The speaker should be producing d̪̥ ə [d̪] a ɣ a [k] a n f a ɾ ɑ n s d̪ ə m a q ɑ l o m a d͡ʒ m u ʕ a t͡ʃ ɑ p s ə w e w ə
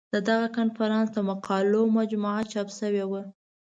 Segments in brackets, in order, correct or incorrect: correct, correct

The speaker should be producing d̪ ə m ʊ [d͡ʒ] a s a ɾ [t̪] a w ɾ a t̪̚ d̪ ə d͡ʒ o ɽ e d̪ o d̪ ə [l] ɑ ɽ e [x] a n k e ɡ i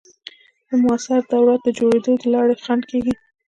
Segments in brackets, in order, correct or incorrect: incorrect, incorrect, correct, correct

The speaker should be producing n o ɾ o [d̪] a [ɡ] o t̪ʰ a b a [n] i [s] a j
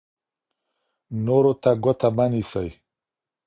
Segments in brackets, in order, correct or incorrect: incorrect, correct, correct, correct

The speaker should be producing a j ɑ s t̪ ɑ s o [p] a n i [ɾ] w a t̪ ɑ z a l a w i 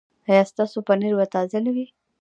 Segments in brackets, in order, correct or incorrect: correct, correct

